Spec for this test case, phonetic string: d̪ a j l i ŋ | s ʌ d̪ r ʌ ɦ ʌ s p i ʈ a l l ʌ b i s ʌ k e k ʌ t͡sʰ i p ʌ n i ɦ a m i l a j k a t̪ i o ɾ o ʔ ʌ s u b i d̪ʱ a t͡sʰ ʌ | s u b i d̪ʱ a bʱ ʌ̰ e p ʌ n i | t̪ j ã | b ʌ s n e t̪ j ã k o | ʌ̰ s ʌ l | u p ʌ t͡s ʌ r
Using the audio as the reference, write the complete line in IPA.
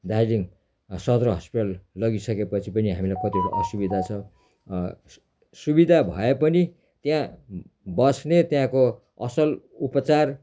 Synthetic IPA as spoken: d̪ a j l i ŋ | s ʌ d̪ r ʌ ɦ ʌ s p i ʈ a l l ʌ ɡ i s ʌ k e p ʌ t͡sʰ i p ʌ n i ɦ a m i l a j k ʌ t̪ i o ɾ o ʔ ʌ s u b i d̪ʱ a t͡sʰ ʌ | s u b i d̪ʱ a bʱ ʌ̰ e p ʌ n i | t̪ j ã | b ʌ s n e t̪ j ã k o | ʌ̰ s ʌ l | u p ʌ t͡s a r